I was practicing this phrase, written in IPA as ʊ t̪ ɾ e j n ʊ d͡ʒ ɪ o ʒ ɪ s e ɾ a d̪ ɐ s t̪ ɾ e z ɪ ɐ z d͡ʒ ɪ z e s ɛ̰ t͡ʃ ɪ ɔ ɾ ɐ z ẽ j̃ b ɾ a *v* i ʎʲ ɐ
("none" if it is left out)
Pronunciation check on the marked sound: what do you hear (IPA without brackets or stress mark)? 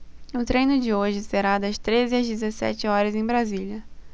z